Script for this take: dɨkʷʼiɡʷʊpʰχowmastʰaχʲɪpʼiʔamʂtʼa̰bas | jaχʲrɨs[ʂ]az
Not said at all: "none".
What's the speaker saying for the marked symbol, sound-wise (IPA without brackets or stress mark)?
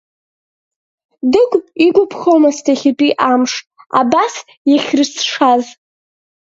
ʂ